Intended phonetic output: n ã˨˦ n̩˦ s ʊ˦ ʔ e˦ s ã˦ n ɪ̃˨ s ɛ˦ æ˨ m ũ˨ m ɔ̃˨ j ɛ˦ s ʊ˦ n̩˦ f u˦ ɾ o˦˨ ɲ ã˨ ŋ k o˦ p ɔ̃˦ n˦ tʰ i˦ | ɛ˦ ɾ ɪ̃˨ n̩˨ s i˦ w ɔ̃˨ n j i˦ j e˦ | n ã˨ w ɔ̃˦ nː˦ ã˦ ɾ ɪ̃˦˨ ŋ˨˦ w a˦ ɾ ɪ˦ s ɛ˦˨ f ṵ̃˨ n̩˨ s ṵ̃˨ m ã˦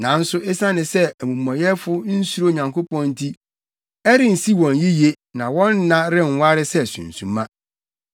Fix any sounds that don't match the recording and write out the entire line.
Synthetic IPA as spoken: n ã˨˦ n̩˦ s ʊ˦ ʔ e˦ s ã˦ n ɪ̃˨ s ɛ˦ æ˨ m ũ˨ m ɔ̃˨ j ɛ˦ f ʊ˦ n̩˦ s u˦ ɾ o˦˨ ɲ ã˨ ŋ k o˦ p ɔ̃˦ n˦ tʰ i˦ | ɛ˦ ɾ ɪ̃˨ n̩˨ s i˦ w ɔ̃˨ n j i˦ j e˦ | n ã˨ w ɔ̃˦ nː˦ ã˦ ɾ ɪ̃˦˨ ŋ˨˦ w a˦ ɾ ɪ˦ s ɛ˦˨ s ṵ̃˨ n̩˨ s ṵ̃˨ m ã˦